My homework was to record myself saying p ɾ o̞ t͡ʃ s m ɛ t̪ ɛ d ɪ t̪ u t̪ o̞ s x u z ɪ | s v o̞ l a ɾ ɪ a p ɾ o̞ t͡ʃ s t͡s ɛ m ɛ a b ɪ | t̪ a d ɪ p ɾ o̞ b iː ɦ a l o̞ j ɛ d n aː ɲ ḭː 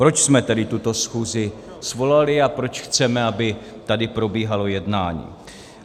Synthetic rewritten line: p ɾ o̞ t͡ʃ s m ɛ t̪ ɛ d ɪ t̪ u t̪ o̞ s x uː z ɪ | s v o̞ l a l ɪ a p ɾ o̞ t͡ʃ x t͡s ɛ m ɛ a b ɪ | t̪ a d ɪ p ɾ o̞ b iː ɦ a l o̞ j ɛ d n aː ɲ ḭː